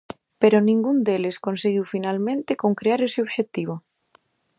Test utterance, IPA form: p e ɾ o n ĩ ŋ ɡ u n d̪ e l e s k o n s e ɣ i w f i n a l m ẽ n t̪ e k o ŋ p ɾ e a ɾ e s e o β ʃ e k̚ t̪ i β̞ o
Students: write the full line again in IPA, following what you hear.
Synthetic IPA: p e ɾ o n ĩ ŋ ɡ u n d̪ e l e s k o n s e ɣ i w f i n a l m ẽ n t̪ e k o ŋ k ɾ e a ɾ e s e o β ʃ e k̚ t̪ i β̞ o